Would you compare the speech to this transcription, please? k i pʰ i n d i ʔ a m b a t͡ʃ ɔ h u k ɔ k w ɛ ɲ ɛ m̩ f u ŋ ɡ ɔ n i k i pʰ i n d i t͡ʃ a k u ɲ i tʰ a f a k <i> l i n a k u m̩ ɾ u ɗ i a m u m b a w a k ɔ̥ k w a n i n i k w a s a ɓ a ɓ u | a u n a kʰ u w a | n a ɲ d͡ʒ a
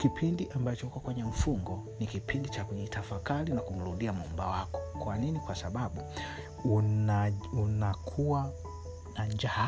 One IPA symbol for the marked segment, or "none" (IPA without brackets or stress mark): a